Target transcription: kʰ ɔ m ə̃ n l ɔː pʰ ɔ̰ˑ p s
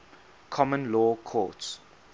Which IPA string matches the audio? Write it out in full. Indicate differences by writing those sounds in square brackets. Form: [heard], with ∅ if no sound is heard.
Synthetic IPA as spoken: kʰ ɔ m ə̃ n l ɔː [kʰ] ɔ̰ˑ [t] s